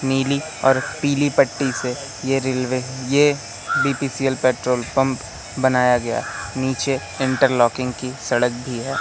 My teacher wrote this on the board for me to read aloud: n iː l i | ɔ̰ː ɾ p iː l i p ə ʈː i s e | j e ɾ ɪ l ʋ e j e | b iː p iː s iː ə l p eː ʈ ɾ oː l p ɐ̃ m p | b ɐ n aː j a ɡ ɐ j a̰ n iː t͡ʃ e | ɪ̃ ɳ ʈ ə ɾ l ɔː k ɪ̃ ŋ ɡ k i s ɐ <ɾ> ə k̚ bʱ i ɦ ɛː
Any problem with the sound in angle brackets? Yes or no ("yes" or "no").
yes